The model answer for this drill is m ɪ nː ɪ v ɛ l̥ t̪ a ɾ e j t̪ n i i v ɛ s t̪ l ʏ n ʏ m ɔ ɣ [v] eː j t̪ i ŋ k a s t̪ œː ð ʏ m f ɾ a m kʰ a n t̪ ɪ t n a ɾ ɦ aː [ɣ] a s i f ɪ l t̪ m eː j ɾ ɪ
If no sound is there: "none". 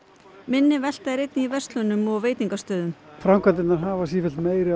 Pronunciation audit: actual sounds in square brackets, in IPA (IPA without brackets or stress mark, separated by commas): v, v